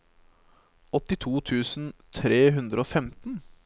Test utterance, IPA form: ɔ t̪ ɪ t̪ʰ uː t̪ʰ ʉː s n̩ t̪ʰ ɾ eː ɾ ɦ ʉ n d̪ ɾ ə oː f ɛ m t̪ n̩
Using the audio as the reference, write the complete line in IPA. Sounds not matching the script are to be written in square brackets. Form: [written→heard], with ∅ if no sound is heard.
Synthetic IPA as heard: ɔ t̪ ɪ t̪ʰ uː t̪ʰ ʉː s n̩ t̪ʰ ɾ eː [ɾ→∅] ɦ ʉ n d̪ ɾ ə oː f ɛ m t̪ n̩